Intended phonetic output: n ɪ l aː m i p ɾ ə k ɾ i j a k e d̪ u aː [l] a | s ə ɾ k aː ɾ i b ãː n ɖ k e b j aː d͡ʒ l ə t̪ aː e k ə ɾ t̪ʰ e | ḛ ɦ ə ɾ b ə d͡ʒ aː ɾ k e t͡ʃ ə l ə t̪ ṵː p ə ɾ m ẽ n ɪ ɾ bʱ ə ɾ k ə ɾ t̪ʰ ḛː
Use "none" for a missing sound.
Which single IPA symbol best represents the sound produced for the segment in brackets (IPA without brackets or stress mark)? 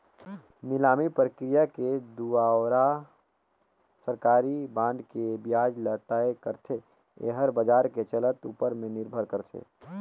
ɾ